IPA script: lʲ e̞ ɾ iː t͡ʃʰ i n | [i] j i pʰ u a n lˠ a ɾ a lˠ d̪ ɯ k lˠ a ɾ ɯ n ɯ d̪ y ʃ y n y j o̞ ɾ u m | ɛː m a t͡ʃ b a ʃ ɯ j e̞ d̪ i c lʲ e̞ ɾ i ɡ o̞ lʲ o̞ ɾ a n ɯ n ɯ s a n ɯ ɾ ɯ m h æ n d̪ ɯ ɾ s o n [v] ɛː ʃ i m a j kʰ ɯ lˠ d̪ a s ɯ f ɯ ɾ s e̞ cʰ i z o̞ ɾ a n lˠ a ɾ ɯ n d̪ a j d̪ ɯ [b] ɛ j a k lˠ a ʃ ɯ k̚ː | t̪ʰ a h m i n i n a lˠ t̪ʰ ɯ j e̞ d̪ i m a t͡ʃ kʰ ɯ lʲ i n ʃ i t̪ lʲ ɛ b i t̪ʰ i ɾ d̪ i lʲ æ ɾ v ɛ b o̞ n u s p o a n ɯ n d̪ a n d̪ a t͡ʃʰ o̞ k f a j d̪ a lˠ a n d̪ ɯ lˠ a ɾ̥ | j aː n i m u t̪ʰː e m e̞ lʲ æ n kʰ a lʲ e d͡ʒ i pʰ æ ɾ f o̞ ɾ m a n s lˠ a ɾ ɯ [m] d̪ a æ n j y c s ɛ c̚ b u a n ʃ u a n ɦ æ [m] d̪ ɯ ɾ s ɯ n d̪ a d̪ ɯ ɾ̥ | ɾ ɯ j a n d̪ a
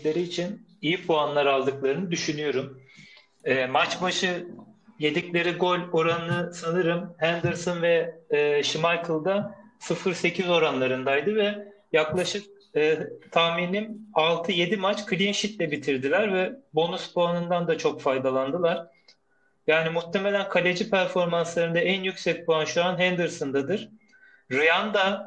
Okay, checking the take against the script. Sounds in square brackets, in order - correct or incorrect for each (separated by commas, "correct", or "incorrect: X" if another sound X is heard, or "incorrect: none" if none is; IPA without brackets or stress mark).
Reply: correct, correct, incorrect: v, incorrect: n, incorrect: n